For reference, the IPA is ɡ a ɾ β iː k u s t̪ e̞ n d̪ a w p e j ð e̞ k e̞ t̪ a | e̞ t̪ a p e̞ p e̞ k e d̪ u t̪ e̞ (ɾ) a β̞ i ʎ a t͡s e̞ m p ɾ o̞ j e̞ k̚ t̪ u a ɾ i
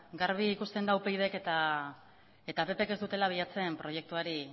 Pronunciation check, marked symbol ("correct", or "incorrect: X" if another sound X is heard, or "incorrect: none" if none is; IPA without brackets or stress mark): incorrect: l